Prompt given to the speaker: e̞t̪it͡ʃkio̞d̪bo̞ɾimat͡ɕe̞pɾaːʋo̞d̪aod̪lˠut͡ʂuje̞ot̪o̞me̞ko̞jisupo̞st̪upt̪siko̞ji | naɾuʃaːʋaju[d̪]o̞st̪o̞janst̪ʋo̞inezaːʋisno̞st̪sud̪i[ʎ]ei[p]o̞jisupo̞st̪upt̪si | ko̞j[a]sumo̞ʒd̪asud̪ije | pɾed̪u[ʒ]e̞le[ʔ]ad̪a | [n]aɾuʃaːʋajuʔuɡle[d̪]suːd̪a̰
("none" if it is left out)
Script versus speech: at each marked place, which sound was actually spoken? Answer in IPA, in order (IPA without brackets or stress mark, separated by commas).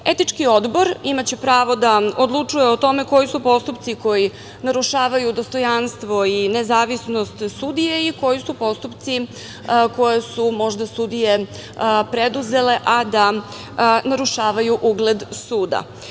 d̪, j, k, e, z, ʔ, n, d̪